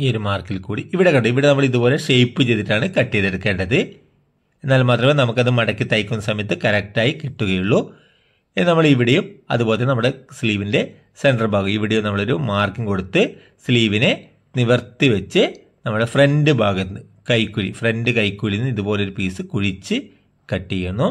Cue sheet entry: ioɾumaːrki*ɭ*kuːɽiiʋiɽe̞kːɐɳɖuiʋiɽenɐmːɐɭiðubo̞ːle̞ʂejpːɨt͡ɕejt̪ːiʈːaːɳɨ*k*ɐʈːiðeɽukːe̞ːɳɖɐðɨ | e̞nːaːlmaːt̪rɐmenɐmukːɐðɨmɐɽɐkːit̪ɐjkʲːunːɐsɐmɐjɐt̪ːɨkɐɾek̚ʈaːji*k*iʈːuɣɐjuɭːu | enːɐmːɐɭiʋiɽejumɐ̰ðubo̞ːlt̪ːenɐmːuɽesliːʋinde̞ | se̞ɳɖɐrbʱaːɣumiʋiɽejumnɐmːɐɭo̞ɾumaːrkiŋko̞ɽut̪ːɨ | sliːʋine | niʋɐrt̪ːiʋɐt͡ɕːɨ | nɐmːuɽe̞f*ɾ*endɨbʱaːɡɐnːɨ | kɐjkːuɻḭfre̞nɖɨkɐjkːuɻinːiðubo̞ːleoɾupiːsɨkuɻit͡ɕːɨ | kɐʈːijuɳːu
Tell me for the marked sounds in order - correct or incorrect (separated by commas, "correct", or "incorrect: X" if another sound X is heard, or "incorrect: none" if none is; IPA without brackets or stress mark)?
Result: incorrect: l, correct, correct, incorrect: r